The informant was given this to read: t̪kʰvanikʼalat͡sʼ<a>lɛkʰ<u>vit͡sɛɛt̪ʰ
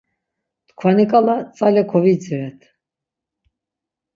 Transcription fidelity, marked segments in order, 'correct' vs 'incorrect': correct, incorrect

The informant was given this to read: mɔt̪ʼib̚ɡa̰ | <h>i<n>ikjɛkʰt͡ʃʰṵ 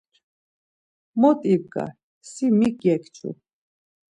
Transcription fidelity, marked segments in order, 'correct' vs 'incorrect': incorrect, incorrect

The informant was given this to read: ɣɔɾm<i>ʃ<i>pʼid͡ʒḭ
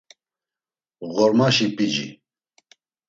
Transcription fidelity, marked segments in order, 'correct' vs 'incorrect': incorrect, correct

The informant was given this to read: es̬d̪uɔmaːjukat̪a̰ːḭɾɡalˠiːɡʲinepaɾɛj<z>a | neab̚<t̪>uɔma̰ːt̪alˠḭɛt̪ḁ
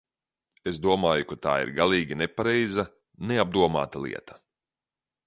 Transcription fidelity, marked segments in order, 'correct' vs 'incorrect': correct, incorrect

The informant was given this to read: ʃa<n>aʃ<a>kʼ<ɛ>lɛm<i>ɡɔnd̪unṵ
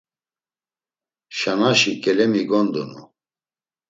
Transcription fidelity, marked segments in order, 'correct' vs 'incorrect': correct, incorrect, correct, correct

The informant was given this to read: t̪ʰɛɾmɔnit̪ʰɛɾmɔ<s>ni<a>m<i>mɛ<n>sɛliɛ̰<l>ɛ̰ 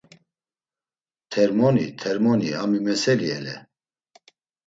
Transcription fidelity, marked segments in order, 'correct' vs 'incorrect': incorrect, correct, correct, incorrect, correct

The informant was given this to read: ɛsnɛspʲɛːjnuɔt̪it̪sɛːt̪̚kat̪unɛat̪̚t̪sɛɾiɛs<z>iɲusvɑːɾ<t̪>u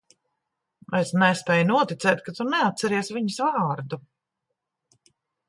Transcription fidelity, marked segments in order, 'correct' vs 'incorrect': incorrect, incorrect

